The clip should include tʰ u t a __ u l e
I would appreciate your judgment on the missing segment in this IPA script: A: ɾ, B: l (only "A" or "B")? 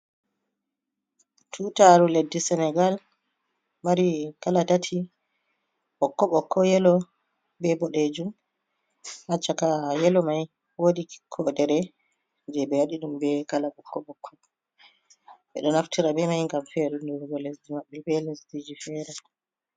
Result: A